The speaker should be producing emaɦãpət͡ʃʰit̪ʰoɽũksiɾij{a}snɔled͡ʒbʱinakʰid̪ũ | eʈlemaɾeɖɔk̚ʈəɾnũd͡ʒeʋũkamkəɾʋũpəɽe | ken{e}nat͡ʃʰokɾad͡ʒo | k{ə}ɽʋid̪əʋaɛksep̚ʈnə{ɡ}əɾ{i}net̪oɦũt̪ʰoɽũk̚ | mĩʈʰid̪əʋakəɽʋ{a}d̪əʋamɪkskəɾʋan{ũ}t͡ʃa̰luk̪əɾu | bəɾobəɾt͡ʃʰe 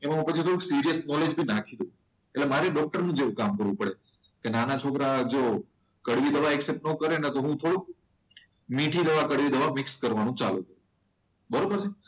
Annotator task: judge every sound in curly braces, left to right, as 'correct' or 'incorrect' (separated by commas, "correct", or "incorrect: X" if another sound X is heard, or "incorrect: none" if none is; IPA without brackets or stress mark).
incorrect: ə, incorrect: a, correct, incorrect: k, incorrect: e, incorrect: i, correct